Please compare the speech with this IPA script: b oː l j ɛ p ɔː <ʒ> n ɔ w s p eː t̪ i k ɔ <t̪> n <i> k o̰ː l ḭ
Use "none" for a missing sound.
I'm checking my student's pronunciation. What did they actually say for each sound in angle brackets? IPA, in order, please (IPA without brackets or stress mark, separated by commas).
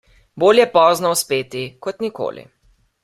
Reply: z, t̪, i